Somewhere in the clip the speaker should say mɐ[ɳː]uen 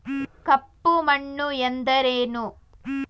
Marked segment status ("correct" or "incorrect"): correct